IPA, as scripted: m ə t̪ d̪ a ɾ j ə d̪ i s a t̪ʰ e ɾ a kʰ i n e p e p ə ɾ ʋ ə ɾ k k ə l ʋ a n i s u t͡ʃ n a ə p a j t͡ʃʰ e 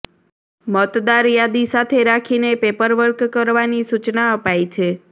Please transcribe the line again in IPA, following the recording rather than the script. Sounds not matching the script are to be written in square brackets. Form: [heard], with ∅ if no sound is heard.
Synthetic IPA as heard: m ə t̪ d̪ a ɾ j [a] d̪ i s a t̪ʰ e ɾ a kʰ i n e p e p ə ɾ ʋ ə ɾ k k ə [ɾ] ʋ a n i s u t͡ʃ n a ə p a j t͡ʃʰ e